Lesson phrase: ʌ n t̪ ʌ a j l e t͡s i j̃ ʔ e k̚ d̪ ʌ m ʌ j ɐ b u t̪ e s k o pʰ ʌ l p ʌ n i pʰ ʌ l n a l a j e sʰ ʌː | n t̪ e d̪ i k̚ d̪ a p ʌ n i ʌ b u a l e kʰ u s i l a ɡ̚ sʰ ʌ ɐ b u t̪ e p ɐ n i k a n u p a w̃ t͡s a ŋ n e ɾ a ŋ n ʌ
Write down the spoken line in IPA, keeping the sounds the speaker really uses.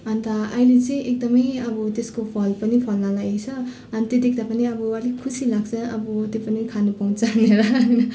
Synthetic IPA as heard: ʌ n t̪ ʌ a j l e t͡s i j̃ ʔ e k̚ d̪ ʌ m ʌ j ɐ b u t̪ e s k o pʰ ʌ l p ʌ n i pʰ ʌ l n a l a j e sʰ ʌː | n t̪ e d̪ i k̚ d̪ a p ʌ n i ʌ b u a l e kʰ u s i l a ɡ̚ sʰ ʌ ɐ b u t̪ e p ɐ n i kʰ a n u p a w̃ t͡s a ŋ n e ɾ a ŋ n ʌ

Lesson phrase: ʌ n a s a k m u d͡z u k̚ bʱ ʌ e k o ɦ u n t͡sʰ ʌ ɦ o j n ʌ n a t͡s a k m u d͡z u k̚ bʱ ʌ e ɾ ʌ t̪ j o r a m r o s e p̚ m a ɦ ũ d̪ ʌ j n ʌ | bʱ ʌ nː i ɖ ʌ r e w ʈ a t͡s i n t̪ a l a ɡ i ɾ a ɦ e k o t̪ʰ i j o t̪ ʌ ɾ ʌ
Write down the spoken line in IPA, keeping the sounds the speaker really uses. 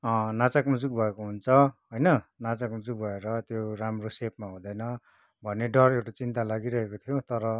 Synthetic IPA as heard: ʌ n a t͡s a k m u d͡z u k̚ bʱ ʌ e k o ɦ u n t͡sʰ ʌ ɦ o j n ʌ n a t͡s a k m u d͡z u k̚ bʱ ʌ e ɾ ʌ t̪ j o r a m r o s e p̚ m a ɦ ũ d̪ ʌ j n ʌ | bʱ ʌ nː e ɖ ʌ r e w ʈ a t͡s i n t̪ a l a ɡ i ɾ ʌ ɦ e k o t̪ʰ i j o t̪ ʌ ɾ ʌ

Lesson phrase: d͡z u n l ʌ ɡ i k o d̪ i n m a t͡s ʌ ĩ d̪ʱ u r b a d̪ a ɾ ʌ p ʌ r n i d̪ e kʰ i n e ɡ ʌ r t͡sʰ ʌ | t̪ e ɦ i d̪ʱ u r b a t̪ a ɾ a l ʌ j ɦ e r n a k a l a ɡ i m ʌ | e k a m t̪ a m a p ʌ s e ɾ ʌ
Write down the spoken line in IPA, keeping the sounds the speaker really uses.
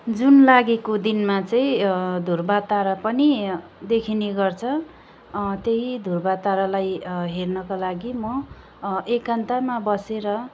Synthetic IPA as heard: d͡z u n l a ɡ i k o d̪ i n m a t͡s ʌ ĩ d̪ʱ u r b a t̪ a ɾ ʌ p ʌ n i d̪ e kʰ i n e ɡ ʌ r t͡sʰ ʌ | t̪ e ɦ i d̪ʱ u r b a t̪ a ɾ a l a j ɦ e r n ʌ k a l a ɡ i m ʌ | e k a n t̪ a m a b ʌ s e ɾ ʌ

